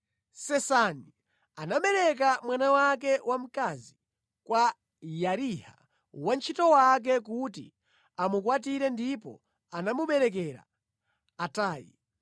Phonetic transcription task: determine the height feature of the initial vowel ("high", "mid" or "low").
mid